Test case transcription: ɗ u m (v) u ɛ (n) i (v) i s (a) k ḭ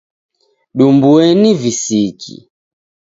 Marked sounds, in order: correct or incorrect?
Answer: incorrect: b, correct, correct, incorrect: i

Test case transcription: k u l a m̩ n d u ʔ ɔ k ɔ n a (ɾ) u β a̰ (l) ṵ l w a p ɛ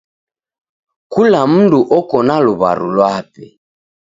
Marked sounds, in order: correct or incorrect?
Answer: incorrect: l, incorrect: ɾ

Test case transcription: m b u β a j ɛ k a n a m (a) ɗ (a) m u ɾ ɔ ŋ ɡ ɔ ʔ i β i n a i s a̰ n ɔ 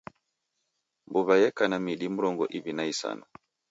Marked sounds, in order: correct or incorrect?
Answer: incorrect: i, incorrect: i

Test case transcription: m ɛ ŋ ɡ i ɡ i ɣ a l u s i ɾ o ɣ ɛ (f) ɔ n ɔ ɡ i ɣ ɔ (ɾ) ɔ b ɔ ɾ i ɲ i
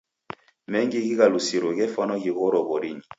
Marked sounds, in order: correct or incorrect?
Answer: correct, correct

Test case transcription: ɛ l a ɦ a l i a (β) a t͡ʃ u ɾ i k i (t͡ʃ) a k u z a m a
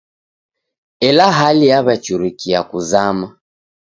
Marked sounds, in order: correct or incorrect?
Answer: correct, incorrect: none

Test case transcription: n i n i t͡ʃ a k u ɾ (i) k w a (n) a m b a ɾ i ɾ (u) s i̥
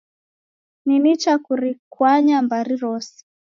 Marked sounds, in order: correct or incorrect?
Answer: correct, incorrect: ɲ, incorrect: ɔ

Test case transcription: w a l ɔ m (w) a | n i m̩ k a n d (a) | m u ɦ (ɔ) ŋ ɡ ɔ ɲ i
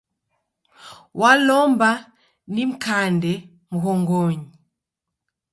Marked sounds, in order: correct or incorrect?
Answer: incorrect: b, incorrect: ɛ, correct

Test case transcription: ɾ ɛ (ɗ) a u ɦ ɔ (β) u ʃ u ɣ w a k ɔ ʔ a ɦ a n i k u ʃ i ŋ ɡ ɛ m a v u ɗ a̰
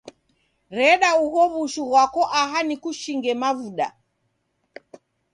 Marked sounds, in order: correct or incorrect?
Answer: correct, correct

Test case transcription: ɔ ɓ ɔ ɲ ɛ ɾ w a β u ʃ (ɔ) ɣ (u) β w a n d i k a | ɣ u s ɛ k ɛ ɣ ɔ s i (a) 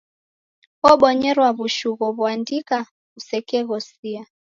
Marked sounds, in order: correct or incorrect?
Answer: incorrect: u, incorrect: ɔ, correct

